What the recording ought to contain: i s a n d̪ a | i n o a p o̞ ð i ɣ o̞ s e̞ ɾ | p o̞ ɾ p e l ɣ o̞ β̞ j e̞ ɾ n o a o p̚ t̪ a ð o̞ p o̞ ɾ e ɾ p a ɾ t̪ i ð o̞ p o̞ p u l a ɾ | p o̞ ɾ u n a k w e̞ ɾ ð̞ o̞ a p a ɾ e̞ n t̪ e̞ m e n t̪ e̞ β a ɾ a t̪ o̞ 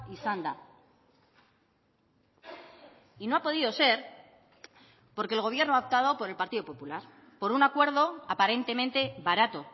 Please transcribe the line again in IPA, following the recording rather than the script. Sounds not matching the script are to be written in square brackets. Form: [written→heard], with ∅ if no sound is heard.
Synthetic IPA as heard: i s a n d̪ a | i n o a p o̞ ð i [ɣ→ð] o̞ s e̞ ɾ | p o̞ ɾ [p→k] e l ɣ o̞ β̞ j e̞ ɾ n o a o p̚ t̪ a ð o̞ p o̞ ɾ e [ɾ→l] p a ɾ t̪ i ð o̞ p o̞ p u l a ɾ | p o̞ ɾ u n a k w e̞ ɾ ð̞ o̞ a p a ɾ e̞ n t̪ e̞ m [e→ẽ] n t̪ e̞ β a ɾ a t̪ o̞

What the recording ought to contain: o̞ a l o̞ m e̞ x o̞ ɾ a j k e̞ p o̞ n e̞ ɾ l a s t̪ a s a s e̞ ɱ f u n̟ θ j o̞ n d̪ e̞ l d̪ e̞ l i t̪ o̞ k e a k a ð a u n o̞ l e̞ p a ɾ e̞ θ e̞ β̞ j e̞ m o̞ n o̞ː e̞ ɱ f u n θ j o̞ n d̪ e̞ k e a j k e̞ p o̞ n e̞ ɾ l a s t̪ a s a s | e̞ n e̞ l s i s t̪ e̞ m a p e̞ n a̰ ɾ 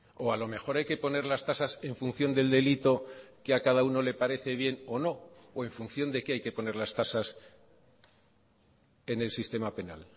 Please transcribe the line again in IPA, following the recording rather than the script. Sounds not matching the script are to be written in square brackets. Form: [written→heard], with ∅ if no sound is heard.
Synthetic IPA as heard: o̞ a l o̞ m e̞ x o̞ ɾ a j k e̞ p o̞ n e̞ ɾ l a s t̪ a s a s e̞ ɱ f u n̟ θ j o̞ n d̪ e̞ l d̪ e̞ l i t̪ o̞ k e a k a ð a u n o̞ l e̞ p a ɾ e̞ θ e̞ β̞ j e̞ [m→n] o̞ n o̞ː e̞ ɱ f u n θ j o̞ n d̪ e̞ k e a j k e̞ p o̞ n e̞ ɾ l a s t̪ a s a s | e̞ n e̞ l s i s t̪ e̞ m a p e̞ n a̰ [ɾ→l]

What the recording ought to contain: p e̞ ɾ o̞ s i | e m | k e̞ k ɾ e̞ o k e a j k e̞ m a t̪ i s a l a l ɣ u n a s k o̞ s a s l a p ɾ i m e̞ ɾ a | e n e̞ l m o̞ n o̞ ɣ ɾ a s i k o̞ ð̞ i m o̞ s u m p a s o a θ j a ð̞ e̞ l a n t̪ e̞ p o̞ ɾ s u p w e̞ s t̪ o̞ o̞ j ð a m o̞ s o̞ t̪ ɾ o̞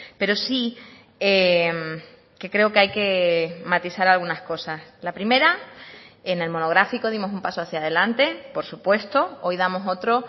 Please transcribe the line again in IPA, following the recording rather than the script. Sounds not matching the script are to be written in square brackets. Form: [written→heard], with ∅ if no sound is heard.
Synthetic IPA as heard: p e̞ ɾ o̞ s i | e m | k e̞ k ɾ e̞ o k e a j k e̞ m a t̪ i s a [l→ɾ] a l ɣ u n a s k o̞ s a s l a p ɾ i m e̞ ɾ a | e n e̞ l m o̞ n o̞ ɣ ɾ a [s→f] i k o̞ ð̞ i m o̞ s u m p a s o a θ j a ð̞ e̞ l a n t̪ e̞ p o̞ ɾ s u p w e̞ s t̪ o̞ o̞ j ð a m o̞ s o̞ t̪ ɾ o̞

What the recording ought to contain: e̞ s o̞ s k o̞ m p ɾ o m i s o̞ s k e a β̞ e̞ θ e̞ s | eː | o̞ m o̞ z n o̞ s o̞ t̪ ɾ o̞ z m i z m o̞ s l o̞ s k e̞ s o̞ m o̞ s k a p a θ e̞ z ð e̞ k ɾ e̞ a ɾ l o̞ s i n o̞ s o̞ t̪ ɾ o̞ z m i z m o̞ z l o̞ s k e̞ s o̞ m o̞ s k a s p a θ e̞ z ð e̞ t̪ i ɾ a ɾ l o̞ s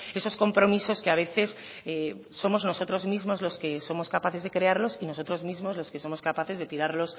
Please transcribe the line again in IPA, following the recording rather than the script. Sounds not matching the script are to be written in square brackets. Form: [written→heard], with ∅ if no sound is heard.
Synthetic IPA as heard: e̞ s o̞ s k o̞ m p ɾ o m i s o̞ s k e a β̞ e̞ θ e̞ s | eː | o̞ m o̞ z n o̞ s o̞ t̪ ɾ o̞ z m i z m o̞ [s→z] l o̞ s k e̞ s o̞ m o̞ s k a p a θ e̞ z ð e̞ k ɾ e̞ a ɾ l o̞ s i n o̞ s o̞ t̪ ɾ o̞ z m i z m o̞ z l o̞ s k e̞ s o̞ m o̞ s k a [s→∅] p a θ e̞ z ð e̞ t̪ i ɾ a ɾ l o̞ s

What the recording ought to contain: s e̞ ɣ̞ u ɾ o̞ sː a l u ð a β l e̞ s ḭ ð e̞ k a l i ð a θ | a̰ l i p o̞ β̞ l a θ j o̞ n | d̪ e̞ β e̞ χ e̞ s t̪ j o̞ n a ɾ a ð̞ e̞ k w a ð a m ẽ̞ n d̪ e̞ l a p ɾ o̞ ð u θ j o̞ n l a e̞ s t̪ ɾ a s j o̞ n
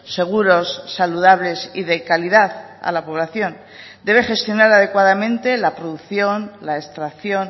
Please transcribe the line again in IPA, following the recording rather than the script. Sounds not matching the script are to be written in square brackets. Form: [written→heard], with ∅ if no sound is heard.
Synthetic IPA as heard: s e̞ ɣ̞ u ɾ o̞ sː a l u ð a β l e̞ s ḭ ð e̞ k a l i ð a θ | a̰ l [i→a] p o̞ β̞ l a θ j o̞ n | d̪ e̞ β e̞ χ e̞ s t̪ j o̞ n a ɾ a ð̞ e̞ k w a ð a m ẽ̞ n [d̪→t̪] e̞ l a p ɾ o̞ ð u θ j o̞ n l a e̞ s t̪ ɾ a [s→θ] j o̞ n

